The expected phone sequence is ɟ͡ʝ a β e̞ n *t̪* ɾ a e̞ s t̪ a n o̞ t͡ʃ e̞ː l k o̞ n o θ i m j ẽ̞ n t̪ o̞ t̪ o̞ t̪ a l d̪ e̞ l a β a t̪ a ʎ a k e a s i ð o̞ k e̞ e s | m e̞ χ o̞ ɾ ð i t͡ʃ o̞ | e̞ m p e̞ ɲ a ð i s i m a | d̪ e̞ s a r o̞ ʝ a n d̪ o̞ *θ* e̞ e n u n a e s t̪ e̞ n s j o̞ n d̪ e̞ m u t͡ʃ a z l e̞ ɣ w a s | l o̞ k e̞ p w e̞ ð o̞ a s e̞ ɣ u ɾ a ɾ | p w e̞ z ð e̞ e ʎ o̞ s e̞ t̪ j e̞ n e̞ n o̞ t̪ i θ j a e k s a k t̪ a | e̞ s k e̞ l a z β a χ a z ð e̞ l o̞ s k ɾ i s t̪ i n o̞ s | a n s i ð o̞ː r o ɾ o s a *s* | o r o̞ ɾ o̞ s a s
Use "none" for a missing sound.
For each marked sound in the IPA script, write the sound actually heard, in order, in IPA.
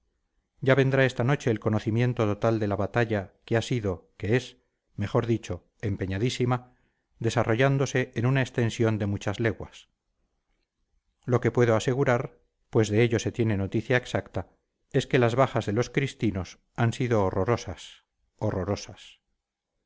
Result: d̪, s, s

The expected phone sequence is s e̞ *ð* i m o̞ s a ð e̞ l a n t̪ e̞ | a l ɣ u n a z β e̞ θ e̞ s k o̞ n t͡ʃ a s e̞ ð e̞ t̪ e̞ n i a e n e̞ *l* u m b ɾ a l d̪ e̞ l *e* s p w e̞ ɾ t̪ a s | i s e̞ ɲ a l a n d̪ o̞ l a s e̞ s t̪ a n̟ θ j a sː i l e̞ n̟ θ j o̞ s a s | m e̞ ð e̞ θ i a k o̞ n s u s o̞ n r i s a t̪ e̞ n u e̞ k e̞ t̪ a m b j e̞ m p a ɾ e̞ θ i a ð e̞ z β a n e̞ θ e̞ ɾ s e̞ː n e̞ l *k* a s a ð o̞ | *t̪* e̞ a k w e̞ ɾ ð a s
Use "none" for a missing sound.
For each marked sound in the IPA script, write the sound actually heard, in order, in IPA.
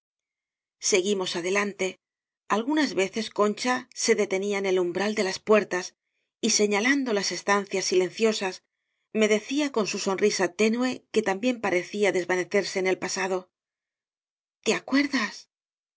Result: ɣ, l, a, p, t̪

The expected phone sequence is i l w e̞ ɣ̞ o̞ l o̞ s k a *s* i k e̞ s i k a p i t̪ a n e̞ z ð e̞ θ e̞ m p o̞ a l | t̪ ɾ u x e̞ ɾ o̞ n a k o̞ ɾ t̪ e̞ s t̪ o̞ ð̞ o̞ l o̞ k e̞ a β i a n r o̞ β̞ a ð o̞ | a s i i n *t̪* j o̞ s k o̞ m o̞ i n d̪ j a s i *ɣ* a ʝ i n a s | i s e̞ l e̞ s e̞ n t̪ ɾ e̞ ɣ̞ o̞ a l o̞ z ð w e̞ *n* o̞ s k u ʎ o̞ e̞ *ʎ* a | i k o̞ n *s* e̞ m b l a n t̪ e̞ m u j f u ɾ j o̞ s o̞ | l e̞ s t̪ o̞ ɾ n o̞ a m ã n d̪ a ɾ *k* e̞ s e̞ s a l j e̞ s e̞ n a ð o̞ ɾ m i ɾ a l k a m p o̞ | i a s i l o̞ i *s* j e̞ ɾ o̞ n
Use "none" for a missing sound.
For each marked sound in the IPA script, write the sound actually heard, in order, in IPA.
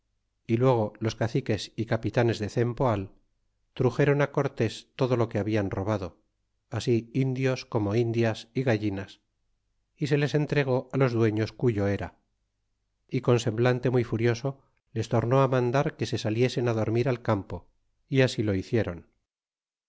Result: θ, d̪, ɣ, ɲ, ɾ, s, k, θ

